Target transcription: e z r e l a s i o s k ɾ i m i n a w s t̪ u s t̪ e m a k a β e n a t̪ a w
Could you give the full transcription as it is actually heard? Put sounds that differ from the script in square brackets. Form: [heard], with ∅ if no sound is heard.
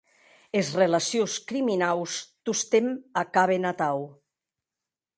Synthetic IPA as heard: e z r e l a s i o s k ɾ i m i n a w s t̪ u s t̪ e m a k a β e n a t̪ a w

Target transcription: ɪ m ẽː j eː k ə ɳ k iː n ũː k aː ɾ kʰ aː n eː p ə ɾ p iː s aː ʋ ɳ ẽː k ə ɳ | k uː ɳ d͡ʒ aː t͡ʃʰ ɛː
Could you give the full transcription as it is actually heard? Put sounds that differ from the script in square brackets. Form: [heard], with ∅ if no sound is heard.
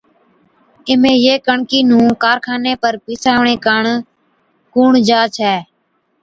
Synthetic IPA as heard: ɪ m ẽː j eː k ə ɳ k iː n ũː k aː ɾ kʰ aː n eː p ə ɾ p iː s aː ʋ ɳ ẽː k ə ɳ | k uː ɳ d͡ʒ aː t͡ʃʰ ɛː

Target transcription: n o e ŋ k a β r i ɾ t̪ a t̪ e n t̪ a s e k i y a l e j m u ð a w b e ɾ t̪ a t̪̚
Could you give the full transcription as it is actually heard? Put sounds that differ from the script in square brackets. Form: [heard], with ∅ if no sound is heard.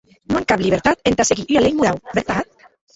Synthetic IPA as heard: n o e ŋ k a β [l] i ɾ t̪ a t̪ e n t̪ a s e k i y a l e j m u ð a w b e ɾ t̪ a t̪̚

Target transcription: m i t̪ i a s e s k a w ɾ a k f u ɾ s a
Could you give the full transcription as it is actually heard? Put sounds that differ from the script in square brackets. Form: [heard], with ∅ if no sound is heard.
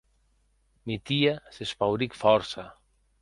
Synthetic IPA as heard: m i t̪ i a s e s [p] a w ɾ [i] k f [ɔ] ɾ s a

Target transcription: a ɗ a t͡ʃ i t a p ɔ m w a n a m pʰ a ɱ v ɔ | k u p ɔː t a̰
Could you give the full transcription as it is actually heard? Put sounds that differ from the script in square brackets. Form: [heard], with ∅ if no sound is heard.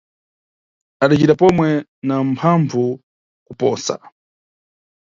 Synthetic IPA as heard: a ɗ a t͡ʃ i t a p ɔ m w [ɛ] n a m pʰ a ɱ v [u] | k u p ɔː [s] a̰

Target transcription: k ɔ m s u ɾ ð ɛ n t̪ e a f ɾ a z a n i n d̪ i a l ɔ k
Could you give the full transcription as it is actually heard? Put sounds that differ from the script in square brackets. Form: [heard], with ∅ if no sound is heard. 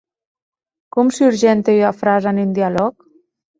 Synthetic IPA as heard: k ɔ m s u ɾ [ʒ] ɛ n t̪ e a f ɾ a z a n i n d̪ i a l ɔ k

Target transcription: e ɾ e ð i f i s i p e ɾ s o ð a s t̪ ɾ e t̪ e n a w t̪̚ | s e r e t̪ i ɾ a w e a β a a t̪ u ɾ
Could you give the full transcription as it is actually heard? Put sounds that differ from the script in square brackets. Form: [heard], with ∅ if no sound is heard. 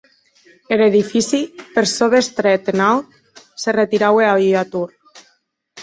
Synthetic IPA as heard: e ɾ e ð i f i s i p e ɾ s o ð [e] s t̪ ɾ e t̪ e n a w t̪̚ | s e r e t̪ i ɾ a w e a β [i] a t̪ u ɾ

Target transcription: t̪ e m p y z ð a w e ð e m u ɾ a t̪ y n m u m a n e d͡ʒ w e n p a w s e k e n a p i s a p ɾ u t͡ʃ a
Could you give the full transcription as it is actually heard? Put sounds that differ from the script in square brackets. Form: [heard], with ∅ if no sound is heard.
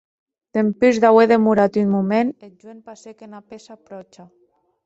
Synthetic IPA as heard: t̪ e m p y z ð a w e ð e m u ɾ a t̪ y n m u m [e] n e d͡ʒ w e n p a [∅] s e k e n a p [e] s a p ɾ [ɔ] t͡ʃ a

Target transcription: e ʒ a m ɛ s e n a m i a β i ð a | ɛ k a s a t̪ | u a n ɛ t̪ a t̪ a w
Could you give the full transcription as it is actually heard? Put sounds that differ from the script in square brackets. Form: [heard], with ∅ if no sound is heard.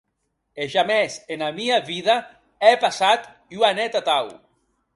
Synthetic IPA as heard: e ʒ a m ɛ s e n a m i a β i ð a | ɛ [p] a s a t̪ | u a n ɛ t̪ a t̪ a w

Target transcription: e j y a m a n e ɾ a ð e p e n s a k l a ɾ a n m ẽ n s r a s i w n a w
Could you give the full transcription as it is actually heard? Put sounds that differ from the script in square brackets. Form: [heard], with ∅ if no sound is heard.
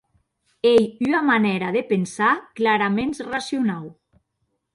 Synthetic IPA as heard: e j y a m a n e ɾ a ð e p e n s a k l a ɾ a [∅] m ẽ n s r a s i [u] n a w

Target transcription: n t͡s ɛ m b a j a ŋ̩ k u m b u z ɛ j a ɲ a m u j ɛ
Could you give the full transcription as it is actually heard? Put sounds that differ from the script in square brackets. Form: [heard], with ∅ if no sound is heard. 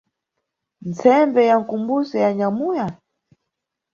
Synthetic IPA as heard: n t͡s ɛ m b [ɛ] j a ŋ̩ k u m b u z ɛ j a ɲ a m u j [a]

